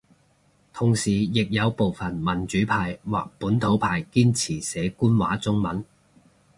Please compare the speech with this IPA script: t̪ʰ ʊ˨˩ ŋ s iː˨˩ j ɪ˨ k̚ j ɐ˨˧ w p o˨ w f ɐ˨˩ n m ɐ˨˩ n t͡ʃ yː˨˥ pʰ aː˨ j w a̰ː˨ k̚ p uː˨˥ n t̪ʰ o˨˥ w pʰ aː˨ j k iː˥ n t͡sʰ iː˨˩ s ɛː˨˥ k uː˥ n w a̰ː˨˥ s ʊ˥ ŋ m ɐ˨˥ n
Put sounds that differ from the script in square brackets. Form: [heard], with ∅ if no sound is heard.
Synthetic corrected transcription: t̪ʰ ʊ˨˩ ŋ s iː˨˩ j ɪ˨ k̚ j ɐ˨˧ w p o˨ w f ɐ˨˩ n m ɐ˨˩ n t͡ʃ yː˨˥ pʰ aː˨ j w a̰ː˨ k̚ p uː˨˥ n t̪ʰ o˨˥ w pʰ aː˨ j k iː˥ n t͡sʰ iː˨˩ s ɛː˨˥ k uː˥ n w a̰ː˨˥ [t͡s] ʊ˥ ŋ m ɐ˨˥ n